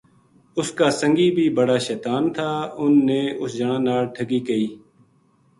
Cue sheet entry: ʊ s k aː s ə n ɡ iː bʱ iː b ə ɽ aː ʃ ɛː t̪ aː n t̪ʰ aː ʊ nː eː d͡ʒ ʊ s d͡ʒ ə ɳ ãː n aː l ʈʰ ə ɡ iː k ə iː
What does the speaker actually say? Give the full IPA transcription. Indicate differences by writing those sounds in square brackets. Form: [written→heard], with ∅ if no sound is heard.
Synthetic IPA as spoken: ʊ s k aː s ə [n→ŋ] ɡ iː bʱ iː b ə ɽ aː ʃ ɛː t̪ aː n t̪ʰ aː ʊ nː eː [d͡ʒ→∅] ʊ s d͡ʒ ə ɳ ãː n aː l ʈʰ ə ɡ iː k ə iː